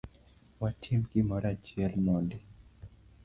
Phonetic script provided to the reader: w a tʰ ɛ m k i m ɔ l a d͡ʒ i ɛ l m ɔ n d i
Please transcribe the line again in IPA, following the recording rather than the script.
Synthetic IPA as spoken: w a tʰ i m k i m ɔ ɾ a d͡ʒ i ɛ l m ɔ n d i